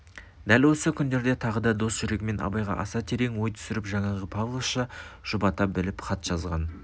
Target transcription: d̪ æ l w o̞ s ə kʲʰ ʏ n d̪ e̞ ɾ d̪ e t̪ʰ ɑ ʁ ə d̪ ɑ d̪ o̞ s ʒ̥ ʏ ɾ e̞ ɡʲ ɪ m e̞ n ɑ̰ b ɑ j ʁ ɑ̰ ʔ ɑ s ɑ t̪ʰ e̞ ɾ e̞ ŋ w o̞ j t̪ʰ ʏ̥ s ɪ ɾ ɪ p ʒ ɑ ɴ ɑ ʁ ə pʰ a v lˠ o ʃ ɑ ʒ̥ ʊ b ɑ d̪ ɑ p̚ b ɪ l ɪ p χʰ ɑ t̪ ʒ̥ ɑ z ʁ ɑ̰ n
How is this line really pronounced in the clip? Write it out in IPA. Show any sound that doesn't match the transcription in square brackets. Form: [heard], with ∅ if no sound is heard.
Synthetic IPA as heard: d̪ æ l w o̞ s ə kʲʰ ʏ n d̪ e̞ ɾ d̪ e t̪ʰ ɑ ʁ ə d̪ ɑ d̪ o̞ s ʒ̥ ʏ ɾ e̞ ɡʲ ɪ m e̞ n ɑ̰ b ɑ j ʁ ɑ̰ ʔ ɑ s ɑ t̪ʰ e̞ ɾ e̞ ŋ w o̞ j t̪ʰ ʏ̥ s ɪ ɾ ɪ p ʒ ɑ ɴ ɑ ʁ ə pʰ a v lˠ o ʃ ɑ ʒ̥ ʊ b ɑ [t̪] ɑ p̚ b ɪ l ɪ p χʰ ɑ t̪ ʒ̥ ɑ z ʁ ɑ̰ n